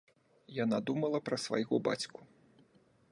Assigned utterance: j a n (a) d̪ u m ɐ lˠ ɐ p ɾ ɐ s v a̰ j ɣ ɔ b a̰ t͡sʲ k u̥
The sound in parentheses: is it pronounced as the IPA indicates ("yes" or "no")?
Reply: yes